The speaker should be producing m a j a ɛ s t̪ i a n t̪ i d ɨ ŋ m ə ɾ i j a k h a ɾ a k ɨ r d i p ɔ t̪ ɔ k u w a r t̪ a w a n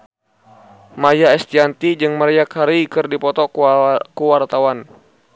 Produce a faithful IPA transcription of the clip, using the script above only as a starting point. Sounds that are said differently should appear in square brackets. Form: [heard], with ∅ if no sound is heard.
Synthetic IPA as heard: m a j a ɛ s t̪ i a n t̪ i [d͡ʒ] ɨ ŋ m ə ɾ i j a k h a ɾ [i] k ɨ r d i p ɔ t̪ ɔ k u w a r t̪ a w a n